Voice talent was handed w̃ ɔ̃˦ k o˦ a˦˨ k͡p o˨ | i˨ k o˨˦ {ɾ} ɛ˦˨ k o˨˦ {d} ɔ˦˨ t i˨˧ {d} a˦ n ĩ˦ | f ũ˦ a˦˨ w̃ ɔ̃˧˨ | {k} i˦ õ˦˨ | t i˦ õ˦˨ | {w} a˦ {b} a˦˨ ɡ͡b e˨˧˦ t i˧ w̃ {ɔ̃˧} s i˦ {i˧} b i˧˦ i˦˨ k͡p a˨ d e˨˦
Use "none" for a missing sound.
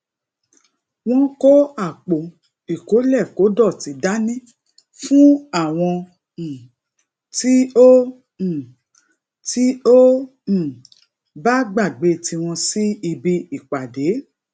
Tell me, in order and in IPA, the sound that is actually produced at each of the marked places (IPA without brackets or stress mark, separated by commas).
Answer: l, d, d, t, b, ɡ͡b, ɔ̃˧, i˧